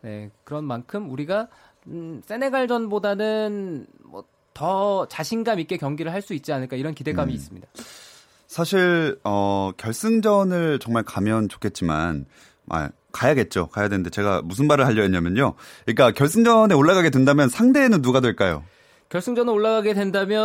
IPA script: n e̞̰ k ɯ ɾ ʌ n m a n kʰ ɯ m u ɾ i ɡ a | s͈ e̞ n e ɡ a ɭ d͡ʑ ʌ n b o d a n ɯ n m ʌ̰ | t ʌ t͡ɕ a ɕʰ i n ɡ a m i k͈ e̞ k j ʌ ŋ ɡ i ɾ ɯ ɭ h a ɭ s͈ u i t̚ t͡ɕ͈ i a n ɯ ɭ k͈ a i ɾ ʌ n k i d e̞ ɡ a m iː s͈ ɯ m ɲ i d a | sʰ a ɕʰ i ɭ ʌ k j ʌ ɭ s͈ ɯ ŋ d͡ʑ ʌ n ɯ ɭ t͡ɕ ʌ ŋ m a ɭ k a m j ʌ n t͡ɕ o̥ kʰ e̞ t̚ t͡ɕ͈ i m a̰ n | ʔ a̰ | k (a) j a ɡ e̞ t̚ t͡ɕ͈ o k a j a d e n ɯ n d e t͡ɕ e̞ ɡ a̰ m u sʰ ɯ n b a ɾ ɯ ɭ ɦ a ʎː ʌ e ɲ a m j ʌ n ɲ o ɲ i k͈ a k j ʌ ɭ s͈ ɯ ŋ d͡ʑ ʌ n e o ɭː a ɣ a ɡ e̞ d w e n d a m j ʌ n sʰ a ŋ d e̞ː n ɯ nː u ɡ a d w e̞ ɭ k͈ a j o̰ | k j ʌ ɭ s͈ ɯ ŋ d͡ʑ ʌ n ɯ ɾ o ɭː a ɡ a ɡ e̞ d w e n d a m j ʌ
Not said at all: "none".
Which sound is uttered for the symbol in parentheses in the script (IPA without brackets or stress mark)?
a